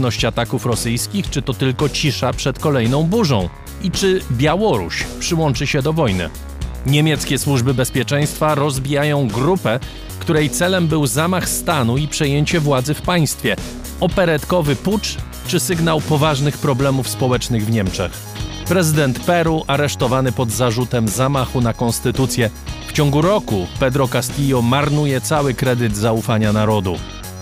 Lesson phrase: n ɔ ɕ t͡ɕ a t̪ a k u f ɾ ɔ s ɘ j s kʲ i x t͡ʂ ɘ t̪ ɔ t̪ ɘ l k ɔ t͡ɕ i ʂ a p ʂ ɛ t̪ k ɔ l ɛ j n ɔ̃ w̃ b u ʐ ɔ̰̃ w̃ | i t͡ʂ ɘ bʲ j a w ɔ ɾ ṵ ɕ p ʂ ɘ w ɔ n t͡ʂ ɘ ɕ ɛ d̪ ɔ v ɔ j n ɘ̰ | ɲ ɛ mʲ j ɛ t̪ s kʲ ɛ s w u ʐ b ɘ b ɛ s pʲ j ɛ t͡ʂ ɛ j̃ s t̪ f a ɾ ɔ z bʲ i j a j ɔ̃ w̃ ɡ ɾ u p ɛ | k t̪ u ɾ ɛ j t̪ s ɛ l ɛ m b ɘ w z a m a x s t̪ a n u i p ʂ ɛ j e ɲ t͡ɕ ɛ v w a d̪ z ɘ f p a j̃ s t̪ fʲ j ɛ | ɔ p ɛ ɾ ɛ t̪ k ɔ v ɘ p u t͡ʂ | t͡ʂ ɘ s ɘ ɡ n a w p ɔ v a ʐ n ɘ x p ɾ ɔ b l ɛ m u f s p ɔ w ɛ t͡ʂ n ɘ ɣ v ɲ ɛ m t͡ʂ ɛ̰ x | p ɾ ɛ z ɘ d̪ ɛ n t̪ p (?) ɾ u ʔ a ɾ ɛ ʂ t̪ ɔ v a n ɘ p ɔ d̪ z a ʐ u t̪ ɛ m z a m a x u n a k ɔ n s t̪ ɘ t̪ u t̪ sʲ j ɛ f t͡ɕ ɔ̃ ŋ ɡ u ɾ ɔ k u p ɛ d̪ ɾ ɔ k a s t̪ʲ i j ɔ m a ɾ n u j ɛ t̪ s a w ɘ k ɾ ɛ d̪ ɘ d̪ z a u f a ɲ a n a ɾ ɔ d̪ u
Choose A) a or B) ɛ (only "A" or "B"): B